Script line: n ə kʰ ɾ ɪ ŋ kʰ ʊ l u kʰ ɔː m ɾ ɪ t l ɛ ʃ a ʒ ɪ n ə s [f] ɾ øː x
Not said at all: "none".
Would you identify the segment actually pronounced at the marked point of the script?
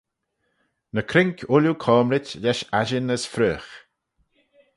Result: f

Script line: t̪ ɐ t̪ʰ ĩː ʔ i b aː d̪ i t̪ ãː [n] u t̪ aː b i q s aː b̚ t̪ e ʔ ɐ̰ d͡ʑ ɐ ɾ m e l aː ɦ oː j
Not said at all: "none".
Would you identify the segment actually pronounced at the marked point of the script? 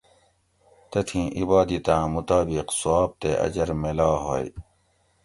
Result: m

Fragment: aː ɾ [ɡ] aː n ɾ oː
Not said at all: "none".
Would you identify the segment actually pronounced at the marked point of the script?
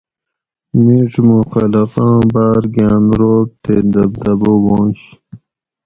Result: ɡ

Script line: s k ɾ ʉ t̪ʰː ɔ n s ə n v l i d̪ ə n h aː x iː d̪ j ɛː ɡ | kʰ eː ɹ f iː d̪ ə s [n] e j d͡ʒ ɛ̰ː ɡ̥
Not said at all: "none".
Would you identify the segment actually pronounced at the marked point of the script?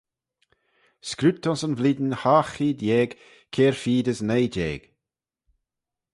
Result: n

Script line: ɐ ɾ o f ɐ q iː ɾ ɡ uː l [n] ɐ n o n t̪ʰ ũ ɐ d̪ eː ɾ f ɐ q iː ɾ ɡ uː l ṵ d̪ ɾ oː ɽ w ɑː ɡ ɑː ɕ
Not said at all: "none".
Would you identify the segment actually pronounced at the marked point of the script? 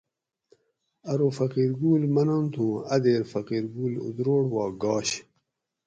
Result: m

